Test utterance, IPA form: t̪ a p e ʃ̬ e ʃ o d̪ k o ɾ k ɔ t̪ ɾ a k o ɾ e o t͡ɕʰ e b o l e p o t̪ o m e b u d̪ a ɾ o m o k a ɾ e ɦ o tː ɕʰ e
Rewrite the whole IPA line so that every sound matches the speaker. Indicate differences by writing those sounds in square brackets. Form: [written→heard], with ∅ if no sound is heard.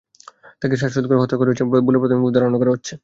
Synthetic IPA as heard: t̪ a [p→k] e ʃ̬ [e→a] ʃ o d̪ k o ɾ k ɔ t̪ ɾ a k o ɾ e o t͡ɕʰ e b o l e p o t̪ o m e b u d̪ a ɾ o [m→n] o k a ɾ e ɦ o tː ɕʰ e